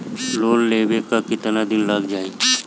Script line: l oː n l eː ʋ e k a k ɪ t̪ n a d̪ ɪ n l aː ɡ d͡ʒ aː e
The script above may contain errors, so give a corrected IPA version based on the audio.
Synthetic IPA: l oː n l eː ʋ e k a k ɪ t̪ n a d̪ ɪ n l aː ɡ d͡ʒ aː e